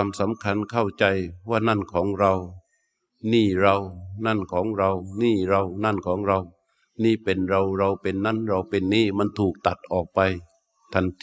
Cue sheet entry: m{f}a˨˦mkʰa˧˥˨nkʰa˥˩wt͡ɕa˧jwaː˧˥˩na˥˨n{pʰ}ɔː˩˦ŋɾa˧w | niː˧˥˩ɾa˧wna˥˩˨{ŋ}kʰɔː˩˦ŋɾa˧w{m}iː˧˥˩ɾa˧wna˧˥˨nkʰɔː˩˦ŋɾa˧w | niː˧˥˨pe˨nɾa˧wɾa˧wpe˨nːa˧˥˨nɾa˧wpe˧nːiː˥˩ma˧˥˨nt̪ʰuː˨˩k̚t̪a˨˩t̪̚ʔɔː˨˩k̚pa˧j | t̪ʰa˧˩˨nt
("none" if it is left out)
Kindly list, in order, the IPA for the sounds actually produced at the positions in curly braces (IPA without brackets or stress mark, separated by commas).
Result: s, kʰ, n, n